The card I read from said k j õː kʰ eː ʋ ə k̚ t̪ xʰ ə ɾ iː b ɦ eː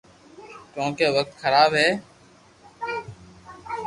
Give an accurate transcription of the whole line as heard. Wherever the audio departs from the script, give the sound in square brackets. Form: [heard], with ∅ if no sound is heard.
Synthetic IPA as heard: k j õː [k] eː ʋ ə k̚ t̪ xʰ ə ɾ [aː] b ɦ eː